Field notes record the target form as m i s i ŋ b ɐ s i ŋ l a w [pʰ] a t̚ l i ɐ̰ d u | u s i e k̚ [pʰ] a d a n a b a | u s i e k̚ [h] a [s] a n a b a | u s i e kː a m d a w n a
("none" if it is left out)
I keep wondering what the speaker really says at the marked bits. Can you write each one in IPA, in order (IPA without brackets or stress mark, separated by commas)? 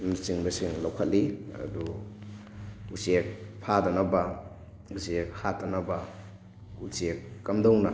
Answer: kʰ, pʰ, h, t